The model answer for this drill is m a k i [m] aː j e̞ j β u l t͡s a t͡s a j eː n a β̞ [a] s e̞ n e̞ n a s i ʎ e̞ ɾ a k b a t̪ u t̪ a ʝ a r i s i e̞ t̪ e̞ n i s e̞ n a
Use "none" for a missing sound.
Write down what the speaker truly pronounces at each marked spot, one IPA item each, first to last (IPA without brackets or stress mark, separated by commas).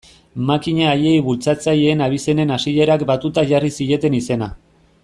ɲ, i